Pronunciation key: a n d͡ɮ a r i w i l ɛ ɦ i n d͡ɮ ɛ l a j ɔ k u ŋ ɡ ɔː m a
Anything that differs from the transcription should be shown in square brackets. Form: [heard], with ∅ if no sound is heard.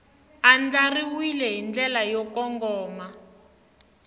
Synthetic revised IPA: a n d͡ɮ a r i w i l ɛ ɦ i n d͡ɮ ɛ l a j ɔ k [ɔ] ŋ ɡ ɔː m a